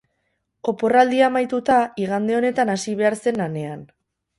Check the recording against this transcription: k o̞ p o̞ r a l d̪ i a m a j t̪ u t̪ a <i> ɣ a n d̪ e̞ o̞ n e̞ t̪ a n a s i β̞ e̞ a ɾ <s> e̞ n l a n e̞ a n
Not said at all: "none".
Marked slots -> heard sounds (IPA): i, s

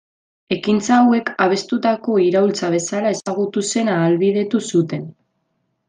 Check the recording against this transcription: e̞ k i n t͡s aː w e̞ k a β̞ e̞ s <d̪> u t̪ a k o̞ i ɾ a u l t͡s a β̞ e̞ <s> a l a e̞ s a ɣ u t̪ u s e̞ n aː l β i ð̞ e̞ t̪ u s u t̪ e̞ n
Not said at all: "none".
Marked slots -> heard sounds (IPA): t̪, s

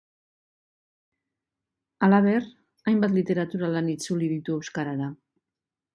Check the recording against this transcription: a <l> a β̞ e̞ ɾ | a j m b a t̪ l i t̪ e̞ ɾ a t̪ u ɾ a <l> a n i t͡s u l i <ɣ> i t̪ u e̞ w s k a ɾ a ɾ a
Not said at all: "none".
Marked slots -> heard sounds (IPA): l, l, ð

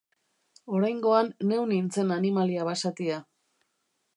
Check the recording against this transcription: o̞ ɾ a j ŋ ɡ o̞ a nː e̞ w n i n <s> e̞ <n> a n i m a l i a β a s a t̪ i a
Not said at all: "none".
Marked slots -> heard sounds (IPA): t͡s, n

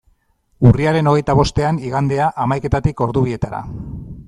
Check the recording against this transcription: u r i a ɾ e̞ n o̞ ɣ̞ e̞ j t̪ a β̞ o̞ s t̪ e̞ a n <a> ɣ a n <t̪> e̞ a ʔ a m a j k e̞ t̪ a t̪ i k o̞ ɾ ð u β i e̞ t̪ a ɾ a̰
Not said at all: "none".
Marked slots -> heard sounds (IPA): i, d̪

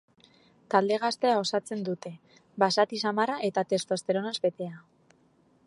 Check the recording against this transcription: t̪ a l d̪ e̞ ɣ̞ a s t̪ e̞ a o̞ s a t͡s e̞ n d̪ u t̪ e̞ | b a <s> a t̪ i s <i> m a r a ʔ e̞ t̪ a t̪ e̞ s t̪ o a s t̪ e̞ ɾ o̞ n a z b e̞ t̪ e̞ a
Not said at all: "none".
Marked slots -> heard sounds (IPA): s, a

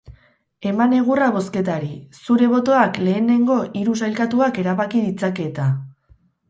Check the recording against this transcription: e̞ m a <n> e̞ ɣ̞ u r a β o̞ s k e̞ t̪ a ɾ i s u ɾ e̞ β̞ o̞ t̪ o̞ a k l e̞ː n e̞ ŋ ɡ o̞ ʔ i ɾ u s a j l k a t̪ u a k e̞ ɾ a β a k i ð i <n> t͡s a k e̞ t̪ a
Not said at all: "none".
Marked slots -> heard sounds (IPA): n, none

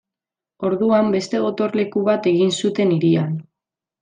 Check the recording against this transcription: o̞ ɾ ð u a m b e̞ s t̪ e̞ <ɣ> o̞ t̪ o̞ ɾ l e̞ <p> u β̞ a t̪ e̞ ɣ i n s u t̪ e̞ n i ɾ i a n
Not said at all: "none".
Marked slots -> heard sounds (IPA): ɣ, k

